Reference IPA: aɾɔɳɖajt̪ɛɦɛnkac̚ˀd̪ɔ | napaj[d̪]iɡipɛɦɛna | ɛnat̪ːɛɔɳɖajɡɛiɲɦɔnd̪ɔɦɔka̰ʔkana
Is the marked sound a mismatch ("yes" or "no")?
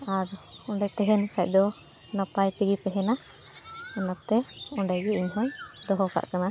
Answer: yes